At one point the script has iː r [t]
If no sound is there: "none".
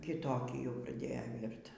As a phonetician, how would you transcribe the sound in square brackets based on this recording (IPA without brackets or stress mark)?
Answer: t